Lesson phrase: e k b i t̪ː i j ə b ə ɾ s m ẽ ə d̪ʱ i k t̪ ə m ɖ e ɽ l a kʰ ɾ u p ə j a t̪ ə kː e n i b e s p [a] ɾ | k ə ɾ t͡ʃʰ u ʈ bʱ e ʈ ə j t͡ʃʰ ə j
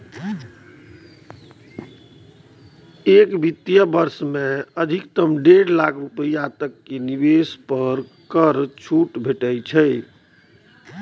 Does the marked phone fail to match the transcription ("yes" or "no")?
yes